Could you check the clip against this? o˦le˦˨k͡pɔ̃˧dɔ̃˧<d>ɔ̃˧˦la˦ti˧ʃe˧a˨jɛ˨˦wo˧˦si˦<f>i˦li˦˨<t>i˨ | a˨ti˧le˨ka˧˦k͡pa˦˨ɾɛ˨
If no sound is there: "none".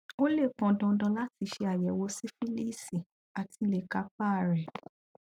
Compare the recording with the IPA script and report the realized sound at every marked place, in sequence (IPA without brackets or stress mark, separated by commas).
d, f, s